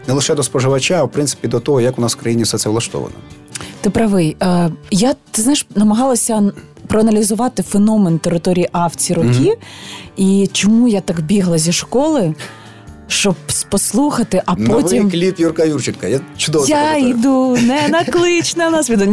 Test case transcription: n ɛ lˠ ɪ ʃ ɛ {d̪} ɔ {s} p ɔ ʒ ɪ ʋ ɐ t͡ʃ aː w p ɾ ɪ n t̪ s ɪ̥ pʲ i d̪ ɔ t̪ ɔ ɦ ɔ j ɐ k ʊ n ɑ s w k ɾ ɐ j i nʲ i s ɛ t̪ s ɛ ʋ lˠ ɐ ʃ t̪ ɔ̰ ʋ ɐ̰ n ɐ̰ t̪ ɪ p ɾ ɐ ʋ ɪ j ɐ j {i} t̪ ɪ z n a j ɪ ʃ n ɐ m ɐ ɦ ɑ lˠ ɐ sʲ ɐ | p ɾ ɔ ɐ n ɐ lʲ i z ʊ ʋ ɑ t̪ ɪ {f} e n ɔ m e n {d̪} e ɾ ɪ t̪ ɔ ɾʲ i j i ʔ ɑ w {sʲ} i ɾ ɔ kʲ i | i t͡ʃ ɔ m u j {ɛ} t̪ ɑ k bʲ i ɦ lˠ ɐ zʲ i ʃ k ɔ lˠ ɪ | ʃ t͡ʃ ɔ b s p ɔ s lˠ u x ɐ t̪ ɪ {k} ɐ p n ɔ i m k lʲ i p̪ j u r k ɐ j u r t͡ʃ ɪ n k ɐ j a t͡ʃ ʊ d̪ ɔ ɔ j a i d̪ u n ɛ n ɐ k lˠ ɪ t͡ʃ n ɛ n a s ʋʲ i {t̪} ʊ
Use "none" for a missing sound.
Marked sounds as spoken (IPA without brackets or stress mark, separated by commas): d̪, s, a, f, t̪, t͡sʲ, a, ʔ, d̪